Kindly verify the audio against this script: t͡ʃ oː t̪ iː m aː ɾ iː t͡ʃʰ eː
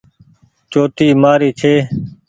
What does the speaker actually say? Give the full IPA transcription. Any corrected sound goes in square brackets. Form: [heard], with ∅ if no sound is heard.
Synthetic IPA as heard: t͡ʃ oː t̪ iː m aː ɾ iː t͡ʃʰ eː